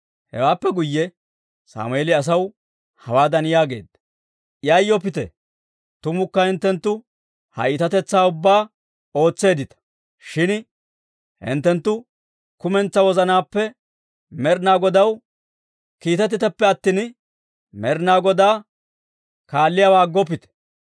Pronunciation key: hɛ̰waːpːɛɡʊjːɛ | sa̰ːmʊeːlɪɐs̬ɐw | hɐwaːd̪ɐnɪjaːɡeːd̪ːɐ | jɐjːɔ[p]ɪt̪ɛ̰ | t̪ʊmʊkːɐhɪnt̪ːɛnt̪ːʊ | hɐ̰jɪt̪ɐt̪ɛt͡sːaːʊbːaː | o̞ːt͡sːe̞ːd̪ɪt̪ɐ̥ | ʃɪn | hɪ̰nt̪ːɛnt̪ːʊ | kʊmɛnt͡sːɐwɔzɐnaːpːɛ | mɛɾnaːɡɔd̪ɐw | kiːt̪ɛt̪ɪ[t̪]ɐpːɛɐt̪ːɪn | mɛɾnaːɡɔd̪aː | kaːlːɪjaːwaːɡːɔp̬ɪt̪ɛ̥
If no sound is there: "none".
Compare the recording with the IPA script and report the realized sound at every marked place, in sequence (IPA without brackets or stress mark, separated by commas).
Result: p, t̪